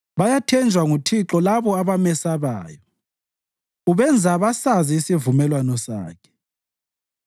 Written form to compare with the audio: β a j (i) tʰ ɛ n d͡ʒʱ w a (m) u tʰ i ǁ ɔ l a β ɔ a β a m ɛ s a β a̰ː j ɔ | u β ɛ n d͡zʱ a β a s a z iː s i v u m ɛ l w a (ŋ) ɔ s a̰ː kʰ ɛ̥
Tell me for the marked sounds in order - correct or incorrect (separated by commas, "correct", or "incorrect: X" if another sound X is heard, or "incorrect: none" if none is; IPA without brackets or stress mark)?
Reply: incorrect: a, incorrect: ŋ, incorrect: n